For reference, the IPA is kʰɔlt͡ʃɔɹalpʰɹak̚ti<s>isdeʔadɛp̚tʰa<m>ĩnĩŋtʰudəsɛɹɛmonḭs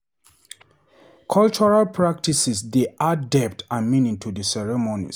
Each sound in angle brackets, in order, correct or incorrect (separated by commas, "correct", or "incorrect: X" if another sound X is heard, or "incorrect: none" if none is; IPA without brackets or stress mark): correct, correct